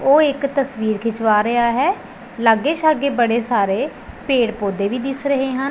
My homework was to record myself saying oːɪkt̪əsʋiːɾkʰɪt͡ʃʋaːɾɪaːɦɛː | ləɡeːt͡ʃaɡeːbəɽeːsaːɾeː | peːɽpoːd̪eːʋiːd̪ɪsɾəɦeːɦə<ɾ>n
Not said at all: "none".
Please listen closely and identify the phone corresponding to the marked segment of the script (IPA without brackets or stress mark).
none